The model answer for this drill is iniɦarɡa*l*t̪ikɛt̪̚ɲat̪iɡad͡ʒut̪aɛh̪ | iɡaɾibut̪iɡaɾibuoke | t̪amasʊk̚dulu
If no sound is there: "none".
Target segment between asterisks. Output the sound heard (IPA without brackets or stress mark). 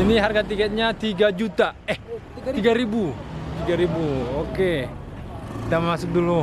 none